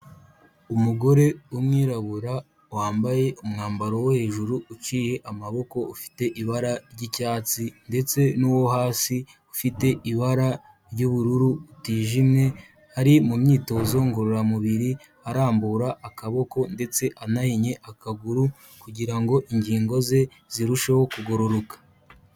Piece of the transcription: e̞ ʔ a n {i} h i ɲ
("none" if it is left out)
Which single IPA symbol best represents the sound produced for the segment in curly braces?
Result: a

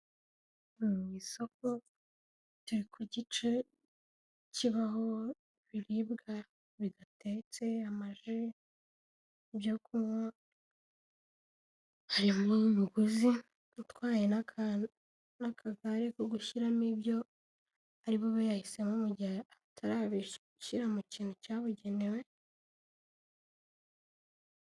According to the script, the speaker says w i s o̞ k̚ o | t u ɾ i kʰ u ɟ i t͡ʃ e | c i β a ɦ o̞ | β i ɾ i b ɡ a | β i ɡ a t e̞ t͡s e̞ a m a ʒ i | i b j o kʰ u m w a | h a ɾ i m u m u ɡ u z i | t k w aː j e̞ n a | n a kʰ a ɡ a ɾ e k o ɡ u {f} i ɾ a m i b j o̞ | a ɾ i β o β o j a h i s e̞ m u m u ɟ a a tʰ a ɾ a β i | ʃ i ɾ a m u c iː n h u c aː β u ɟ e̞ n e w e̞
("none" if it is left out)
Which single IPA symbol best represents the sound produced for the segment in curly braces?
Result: ʃ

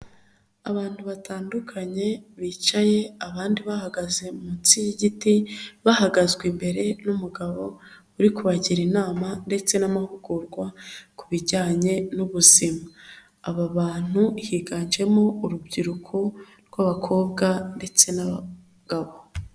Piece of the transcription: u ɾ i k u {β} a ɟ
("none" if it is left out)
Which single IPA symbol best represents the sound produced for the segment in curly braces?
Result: β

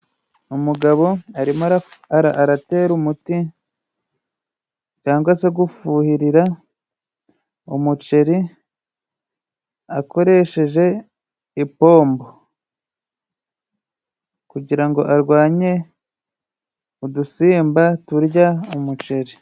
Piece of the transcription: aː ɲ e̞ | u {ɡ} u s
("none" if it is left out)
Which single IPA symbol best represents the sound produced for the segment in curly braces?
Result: d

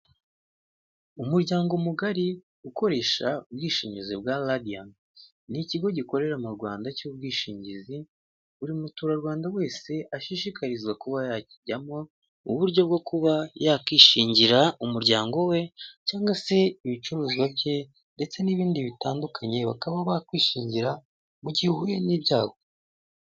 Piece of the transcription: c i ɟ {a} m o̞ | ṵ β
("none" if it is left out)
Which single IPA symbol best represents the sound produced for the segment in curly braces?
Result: a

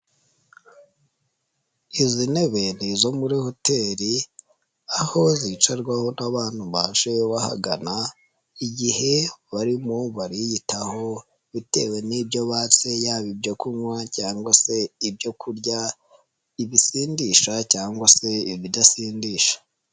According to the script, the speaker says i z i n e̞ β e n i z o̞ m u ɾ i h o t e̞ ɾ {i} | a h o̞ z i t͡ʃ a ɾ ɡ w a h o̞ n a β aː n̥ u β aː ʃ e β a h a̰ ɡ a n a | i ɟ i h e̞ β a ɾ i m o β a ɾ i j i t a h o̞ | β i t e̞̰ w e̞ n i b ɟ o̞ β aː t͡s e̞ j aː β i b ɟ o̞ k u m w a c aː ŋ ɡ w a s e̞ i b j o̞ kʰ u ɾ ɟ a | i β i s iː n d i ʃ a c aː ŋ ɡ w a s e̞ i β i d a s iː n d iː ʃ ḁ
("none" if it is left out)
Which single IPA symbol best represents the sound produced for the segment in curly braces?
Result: i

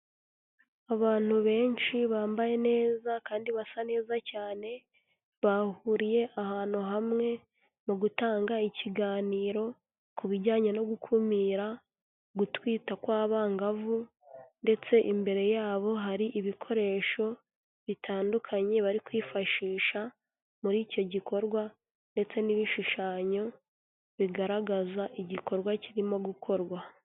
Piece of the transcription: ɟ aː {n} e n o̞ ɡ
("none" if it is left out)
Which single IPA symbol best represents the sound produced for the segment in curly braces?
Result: ɲ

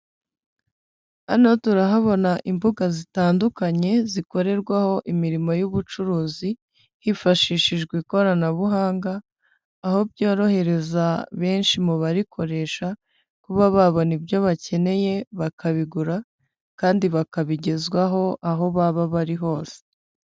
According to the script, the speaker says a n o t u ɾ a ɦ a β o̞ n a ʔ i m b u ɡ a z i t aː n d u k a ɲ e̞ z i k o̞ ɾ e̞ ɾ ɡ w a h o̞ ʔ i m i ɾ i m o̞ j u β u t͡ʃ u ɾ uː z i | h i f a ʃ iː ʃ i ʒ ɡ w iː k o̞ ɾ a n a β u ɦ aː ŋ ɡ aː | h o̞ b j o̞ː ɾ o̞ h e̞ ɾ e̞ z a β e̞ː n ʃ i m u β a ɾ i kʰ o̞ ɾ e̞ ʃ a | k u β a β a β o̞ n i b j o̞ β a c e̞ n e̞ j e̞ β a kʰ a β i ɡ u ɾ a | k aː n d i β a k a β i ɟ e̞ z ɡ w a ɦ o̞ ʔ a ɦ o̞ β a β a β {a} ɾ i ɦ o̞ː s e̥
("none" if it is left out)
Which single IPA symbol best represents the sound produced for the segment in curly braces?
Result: a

